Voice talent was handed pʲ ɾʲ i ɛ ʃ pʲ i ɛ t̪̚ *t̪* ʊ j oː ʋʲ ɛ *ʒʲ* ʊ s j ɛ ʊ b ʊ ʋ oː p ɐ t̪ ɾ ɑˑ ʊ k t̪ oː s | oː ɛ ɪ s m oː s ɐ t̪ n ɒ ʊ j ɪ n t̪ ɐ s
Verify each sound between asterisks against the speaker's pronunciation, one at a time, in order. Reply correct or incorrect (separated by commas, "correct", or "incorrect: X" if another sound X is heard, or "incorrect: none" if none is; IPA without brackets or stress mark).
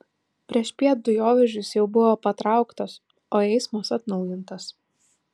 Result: incorrect: d̪, correct